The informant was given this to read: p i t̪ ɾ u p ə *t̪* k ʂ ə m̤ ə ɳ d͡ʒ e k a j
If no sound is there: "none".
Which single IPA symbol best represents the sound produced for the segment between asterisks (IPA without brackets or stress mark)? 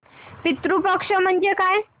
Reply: none